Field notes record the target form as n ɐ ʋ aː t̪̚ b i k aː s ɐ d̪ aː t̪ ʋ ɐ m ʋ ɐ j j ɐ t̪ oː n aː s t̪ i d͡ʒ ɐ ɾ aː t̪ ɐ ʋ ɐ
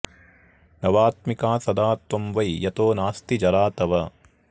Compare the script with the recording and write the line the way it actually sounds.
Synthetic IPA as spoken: n ɐ ʋ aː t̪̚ m i k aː s ɐ d̪ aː t̪ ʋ ɐ m ʋ ɐ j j ɐ t̪ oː n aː s t̪ i d͡ʒ ɐ ɾ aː t̪ ɐ ʋ ɐ